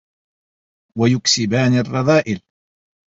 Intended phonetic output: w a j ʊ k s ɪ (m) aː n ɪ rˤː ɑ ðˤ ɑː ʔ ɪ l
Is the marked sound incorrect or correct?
incorrect